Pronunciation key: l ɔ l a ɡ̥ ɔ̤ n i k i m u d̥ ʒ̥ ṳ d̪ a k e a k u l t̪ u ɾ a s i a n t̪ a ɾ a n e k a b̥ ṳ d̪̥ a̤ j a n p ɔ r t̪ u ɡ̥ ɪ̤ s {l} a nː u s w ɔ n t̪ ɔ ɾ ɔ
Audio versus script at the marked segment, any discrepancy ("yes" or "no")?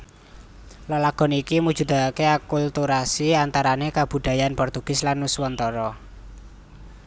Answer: no